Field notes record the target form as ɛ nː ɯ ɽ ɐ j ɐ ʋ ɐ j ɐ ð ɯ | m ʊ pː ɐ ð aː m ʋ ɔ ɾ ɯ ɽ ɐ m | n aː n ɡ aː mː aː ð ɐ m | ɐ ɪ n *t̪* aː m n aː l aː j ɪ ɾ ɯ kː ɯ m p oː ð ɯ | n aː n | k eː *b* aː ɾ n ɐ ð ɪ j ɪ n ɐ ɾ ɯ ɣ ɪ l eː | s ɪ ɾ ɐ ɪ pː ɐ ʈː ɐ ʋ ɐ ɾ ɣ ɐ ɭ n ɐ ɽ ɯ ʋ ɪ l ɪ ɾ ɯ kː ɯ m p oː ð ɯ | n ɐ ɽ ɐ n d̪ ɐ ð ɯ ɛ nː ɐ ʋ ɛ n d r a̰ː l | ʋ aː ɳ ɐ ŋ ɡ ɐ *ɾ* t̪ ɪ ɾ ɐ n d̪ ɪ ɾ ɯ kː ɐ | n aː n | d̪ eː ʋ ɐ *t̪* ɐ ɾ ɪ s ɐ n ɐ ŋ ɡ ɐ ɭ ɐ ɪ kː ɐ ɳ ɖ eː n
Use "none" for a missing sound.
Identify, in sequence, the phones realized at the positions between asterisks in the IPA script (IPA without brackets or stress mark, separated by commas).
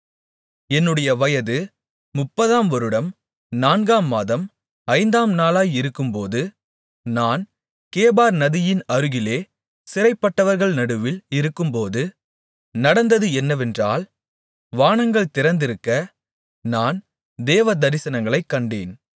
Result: d̪, b, ɭ, d̪